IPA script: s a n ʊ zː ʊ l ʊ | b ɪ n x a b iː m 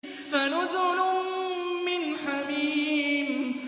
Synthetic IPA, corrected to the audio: f a n ʊ z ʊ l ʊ | m ɪ n ħ a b iː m